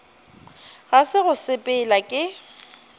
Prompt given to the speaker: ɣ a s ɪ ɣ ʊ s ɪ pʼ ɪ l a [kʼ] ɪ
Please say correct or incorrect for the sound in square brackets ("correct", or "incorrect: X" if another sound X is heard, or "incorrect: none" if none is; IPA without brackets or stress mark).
correct